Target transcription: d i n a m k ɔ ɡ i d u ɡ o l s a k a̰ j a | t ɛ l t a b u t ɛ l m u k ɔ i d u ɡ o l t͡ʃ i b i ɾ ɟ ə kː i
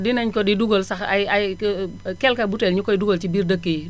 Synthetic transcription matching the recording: d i n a ɲ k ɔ d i d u ɡ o l s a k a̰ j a | k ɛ l k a b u t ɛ l ɲ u k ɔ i d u ɡ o l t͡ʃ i b i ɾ d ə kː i